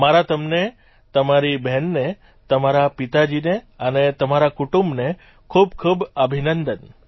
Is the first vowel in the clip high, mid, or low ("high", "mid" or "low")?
low